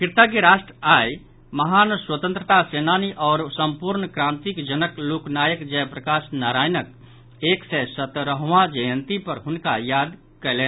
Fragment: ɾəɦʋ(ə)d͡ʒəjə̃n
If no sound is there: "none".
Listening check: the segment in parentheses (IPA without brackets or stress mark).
a